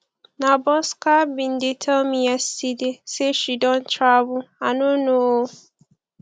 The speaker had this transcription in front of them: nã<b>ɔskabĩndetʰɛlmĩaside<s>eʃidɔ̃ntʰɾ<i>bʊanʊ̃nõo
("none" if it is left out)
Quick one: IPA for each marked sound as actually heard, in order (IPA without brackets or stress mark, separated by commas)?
b, s, a